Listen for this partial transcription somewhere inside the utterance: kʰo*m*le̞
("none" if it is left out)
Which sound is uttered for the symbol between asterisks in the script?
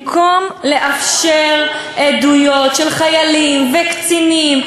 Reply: m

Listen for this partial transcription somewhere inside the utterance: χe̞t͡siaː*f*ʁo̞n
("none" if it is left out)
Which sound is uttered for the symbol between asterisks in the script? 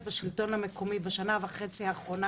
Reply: χ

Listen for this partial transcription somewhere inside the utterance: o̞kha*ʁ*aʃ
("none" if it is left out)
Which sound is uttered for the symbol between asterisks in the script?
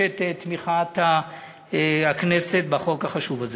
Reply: χ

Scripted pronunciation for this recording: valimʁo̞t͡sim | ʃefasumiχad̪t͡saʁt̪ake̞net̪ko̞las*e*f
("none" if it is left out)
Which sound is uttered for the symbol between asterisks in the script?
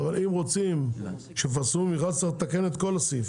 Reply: i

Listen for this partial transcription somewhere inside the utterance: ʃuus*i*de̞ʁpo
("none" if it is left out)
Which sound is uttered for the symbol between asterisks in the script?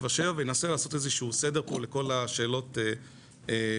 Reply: e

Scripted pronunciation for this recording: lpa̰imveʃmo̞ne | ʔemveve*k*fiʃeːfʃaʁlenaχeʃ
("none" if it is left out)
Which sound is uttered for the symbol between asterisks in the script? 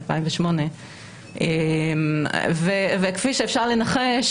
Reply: k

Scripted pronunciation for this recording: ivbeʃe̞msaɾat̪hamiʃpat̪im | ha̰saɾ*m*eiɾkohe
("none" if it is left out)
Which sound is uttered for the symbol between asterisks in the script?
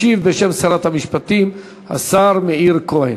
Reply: m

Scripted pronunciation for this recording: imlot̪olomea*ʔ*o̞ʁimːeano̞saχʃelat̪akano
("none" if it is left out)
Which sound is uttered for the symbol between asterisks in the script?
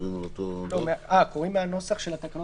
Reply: k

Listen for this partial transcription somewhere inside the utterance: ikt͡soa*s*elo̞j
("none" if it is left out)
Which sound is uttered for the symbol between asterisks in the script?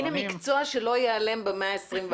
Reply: ʃ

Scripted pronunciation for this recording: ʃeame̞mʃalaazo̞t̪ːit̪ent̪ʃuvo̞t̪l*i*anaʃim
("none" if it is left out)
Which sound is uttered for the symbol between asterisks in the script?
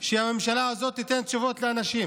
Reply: e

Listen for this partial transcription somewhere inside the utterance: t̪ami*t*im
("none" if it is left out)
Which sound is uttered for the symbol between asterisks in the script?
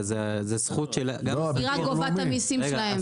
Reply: s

